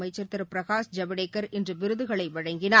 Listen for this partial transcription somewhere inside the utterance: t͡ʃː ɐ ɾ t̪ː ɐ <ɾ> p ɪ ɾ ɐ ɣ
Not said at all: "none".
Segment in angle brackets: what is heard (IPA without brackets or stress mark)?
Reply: ɾ